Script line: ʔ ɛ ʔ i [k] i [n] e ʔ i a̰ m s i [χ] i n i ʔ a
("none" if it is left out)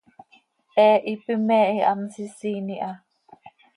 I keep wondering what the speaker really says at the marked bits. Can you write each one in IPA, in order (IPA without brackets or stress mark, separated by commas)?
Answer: p, m, s